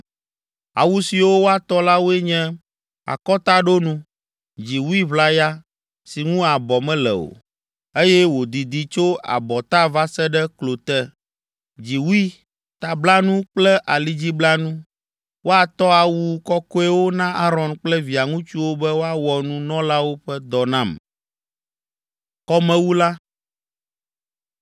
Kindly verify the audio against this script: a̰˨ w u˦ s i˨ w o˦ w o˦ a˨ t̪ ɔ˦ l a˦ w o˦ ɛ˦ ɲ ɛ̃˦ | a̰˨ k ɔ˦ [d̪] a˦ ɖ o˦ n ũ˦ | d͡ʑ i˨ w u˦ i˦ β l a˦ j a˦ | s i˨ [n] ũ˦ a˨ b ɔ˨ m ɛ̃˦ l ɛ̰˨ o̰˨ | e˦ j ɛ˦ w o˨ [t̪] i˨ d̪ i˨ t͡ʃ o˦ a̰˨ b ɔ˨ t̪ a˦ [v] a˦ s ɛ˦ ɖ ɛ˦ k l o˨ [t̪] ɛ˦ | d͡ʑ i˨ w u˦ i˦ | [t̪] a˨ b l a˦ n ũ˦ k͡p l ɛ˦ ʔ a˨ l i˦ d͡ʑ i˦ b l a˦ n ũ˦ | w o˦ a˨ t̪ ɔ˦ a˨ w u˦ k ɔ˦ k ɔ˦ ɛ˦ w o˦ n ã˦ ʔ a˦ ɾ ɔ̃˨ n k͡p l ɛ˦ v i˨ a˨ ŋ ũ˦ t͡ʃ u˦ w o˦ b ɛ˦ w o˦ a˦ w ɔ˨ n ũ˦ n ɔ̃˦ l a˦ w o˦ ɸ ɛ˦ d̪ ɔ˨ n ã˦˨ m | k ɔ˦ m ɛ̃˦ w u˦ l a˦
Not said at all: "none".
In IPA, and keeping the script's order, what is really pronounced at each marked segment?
t̪, ŋ, d̪, v, t̪, t̪

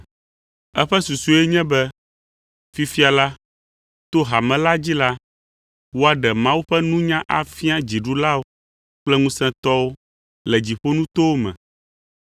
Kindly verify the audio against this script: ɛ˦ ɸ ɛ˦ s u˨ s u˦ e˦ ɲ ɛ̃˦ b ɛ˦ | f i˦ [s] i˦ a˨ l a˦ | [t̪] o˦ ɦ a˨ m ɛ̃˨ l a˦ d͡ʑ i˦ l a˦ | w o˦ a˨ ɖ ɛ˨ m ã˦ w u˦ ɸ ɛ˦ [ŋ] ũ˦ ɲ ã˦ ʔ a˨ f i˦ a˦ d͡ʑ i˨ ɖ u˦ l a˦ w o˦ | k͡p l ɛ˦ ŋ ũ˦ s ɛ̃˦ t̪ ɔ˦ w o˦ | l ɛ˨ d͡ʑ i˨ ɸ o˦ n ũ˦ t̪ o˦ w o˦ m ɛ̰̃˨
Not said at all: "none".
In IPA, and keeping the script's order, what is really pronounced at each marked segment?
f, t̪, n

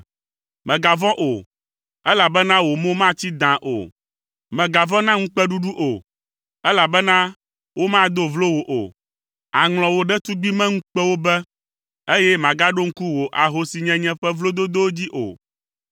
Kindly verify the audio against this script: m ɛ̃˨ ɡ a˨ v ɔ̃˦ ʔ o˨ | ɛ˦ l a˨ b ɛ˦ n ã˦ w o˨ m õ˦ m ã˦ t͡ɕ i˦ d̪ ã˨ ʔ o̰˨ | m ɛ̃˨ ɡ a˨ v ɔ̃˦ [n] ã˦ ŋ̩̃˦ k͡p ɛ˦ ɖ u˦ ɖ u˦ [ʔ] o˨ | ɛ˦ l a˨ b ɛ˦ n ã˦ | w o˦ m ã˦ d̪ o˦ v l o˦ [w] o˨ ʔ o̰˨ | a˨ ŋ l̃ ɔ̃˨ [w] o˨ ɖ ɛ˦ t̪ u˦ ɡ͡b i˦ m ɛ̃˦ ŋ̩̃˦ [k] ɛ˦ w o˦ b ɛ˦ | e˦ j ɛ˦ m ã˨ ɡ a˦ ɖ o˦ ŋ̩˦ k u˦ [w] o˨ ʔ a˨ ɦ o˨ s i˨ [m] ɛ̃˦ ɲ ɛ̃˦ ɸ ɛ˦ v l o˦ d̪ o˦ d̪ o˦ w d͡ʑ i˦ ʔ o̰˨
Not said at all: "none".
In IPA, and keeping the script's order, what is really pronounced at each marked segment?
n, ʔ, w, w, k͡p, w, ɲ

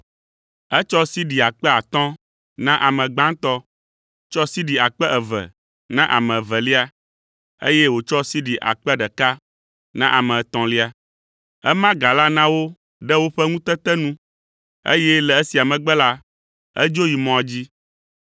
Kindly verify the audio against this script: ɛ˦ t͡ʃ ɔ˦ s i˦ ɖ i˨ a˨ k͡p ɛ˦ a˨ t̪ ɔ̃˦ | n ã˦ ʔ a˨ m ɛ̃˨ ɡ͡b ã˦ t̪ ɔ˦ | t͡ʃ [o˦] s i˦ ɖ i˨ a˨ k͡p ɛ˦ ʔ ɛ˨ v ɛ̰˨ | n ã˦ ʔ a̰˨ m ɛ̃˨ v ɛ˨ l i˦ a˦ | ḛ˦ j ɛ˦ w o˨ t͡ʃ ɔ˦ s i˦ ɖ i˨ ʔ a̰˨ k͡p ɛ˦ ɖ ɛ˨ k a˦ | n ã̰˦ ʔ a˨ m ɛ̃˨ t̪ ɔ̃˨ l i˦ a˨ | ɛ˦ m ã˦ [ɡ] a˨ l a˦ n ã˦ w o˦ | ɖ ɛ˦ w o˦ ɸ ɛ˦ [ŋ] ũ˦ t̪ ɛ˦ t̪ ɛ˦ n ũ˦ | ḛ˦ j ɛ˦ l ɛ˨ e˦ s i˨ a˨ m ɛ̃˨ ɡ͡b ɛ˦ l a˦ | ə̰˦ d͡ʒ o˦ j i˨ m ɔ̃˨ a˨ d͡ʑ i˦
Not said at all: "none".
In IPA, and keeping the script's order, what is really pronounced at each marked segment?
ɔ˦, ɡ, ŋ

